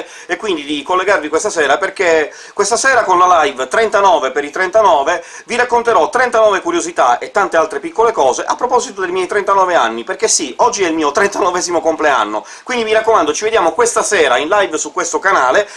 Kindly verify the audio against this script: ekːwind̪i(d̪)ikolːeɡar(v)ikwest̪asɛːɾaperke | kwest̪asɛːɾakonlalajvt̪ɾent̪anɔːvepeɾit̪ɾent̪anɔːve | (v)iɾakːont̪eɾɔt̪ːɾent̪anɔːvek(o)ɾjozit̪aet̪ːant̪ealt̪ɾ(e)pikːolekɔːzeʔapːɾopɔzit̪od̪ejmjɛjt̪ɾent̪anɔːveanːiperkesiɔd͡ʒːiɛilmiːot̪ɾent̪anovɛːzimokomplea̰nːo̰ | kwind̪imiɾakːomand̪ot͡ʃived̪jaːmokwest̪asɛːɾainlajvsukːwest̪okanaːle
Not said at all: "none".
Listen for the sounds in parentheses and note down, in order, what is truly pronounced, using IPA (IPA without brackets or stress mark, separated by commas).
d̪, v, v, u, e